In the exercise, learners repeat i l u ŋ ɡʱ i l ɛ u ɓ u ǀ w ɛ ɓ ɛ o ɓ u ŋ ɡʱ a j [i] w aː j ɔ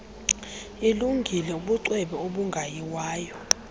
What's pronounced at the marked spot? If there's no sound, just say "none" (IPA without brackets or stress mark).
i